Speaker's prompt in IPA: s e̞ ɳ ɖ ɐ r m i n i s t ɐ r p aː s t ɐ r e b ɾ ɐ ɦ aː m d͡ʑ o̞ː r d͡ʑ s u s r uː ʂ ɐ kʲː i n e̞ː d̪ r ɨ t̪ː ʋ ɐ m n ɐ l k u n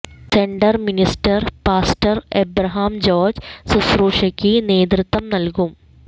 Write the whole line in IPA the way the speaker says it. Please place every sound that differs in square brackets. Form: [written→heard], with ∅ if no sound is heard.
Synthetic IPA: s e̞ ɳ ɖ ɐ r m i n i s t ɐ r p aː s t ɐ r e b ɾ ɐ ɦ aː m d͡ʑ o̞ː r d͡ʑ s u s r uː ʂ ɐ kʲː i n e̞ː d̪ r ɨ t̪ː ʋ ɐ m n ɐ l k u [n→m]